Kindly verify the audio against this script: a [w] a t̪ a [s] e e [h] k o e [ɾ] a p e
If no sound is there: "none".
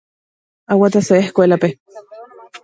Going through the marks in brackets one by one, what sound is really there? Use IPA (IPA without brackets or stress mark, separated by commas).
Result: w, s, h, l